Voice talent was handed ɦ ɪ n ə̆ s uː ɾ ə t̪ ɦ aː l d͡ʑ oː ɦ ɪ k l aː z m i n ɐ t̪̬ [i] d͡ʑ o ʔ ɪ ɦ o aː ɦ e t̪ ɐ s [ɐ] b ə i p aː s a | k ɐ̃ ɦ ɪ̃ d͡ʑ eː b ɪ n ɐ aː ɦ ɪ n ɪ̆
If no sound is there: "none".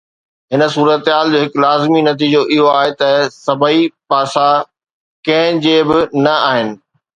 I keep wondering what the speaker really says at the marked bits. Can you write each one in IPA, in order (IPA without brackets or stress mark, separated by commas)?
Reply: iː, ɐ